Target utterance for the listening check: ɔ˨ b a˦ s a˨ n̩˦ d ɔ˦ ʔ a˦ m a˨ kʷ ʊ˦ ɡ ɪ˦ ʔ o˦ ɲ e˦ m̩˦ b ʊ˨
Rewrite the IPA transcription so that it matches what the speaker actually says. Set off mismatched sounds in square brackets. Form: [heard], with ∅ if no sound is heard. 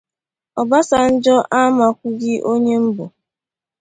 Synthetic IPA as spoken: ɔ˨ b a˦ s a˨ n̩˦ [d͡ʒ] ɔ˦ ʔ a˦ m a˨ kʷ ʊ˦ ɡ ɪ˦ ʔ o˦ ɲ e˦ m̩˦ b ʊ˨